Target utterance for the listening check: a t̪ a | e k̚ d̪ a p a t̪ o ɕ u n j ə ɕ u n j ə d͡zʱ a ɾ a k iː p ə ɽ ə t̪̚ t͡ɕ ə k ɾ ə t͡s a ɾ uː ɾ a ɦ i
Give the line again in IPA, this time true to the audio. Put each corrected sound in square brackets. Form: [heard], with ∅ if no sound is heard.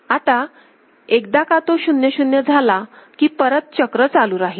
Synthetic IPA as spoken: a t̪ a | e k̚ d̪ a [k] a t̪ o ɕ u n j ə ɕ u n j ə d͡zʱ a [l] a k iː p ə [ɾ] ə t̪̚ t͡ɕ ə k ɾ ə t͡s a [l] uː ɾ a ɦ i

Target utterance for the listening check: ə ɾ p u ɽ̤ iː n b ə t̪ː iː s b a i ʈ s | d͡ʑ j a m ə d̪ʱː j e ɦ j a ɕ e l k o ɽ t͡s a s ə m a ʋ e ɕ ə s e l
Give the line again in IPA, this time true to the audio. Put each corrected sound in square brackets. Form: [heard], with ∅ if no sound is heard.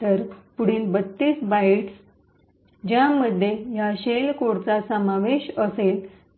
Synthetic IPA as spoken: ə ɾ p u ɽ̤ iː n b ə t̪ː iː s b a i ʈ s | d͡ʑ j a m ə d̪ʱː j e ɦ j a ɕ e l k o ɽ t͡s a s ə m a ʋ e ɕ ə s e l

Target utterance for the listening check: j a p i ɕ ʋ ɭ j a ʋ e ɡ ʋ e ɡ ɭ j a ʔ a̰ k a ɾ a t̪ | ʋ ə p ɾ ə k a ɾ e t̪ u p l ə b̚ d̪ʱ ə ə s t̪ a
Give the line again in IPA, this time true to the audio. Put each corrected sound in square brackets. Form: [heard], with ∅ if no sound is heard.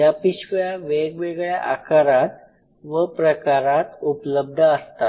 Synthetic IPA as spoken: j a p i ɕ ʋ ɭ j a ʋ e ɡ ʋ e ɡ ɭ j a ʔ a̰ k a ɾ a t̪ | ʋ ə p ɾ ə k a ɾ [a] t̪ u p l ə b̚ d̪ʱ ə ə s t̪ a

